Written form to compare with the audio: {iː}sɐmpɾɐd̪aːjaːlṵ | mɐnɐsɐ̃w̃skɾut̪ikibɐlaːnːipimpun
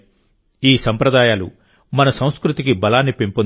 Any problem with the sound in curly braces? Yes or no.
no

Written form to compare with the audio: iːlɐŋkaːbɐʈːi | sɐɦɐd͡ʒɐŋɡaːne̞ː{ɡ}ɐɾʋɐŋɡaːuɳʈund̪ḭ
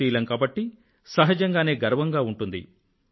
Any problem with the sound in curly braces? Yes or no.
no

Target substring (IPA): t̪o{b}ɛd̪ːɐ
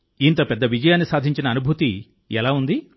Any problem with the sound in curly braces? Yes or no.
yes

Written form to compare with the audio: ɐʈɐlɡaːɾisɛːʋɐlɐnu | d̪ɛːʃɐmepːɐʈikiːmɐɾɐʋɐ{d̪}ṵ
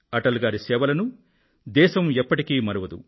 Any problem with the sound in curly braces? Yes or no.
no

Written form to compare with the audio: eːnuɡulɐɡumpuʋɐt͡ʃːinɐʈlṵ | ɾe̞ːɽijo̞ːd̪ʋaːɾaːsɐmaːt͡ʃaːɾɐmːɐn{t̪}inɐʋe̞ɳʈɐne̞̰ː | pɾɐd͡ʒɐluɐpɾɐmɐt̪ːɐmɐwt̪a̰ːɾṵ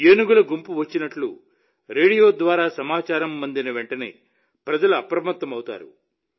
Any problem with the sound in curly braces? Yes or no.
yes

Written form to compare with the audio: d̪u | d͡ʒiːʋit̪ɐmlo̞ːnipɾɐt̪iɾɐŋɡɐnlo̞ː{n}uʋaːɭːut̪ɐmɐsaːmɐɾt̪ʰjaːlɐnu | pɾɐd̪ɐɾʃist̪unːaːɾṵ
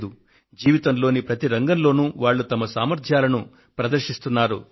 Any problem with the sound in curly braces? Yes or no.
no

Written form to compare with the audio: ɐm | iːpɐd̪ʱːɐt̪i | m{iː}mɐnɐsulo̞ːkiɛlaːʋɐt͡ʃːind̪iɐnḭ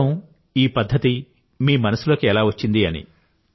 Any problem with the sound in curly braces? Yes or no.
no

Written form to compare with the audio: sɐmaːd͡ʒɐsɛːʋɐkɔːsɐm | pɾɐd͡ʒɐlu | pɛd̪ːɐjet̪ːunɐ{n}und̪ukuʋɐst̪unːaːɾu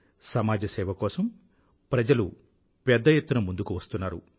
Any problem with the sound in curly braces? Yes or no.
yes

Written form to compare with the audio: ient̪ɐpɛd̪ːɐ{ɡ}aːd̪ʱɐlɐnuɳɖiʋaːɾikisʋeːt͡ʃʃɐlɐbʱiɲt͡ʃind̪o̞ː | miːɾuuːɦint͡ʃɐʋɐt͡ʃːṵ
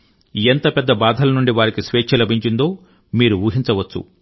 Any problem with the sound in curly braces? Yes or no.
yes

